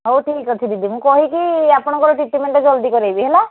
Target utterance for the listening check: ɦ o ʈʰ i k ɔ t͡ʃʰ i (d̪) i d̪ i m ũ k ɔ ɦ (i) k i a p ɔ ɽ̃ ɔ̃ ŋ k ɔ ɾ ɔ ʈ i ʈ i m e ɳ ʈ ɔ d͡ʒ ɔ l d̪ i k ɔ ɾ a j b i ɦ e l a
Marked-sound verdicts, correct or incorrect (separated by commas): correct, correct